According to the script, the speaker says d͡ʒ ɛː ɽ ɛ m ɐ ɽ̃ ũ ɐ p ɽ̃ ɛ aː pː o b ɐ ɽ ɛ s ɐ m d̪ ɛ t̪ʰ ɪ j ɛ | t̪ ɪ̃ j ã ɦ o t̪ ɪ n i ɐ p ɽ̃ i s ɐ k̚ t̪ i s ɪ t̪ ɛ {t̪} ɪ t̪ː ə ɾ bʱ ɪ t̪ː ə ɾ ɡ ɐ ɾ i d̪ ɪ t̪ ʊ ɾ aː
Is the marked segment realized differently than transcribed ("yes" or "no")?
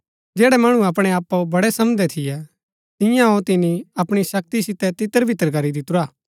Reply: no